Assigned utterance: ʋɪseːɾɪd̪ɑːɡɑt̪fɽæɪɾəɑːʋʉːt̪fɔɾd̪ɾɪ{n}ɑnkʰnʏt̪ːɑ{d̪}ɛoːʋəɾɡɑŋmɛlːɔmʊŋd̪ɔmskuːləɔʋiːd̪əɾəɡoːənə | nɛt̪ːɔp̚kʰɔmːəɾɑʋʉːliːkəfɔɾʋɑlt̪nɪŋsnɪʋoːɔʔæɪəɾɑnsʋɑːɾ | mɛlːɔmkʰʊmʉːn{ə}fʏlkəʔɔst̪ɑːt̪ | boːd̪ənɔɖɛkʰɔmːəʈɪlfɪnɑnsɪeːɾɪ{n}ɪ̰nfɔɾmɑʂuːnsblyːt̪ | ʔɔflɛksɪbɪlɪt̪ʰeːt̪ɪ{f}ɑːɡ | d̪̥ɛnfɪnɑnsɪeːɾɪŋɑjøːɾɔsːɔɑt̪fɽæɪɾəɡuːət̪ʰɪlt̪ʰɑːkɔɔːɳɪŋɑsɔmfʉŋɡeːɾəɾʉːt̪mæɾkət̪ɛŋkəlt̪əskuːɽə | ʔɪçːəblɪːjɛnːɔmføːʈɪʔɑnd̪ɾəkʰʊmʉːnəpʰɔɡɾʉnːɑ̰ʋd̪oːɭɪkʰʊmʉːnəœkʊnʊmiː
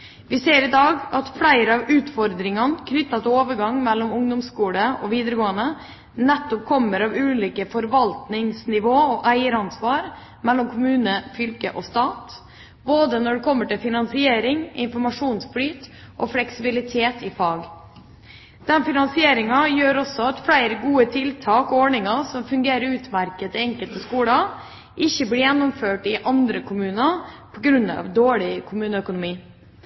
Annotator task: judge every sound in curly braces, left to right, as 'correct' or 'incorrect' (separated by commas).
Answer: incorrect, incorrect, correct, incorrect, correct